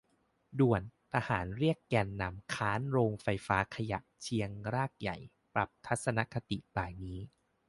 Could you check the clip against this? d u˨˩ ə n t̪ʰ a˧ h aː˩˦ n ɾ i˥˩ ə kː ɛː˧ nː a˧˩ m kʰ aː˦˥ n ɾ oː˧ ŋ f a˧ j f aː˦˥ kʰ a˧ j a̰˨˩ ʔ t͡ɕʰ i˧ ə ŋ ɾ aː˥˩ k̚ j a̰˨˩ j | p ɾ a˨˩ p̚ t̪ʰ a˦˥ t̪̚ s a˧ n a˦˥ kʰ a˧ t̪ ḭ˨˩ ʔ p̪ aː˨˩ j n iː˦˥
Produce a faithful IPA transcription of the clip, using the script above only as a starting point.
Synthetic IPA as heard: d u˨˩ ə n t̪ʰ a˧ h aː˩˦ n ɾ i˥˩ ə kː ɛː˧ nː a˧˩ m kʰ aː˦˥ n ɾ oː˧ ŋ f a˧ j f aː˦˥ kʰ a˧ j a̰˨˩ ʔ t͡ɕʰ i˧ ə ŋ ɾ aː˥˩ k̚ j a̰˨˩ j | p ɾ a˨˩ p̚ t̪ʰ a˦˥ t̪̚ s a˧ n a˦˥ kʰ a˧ t̪ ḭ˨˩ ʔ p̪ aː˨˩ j n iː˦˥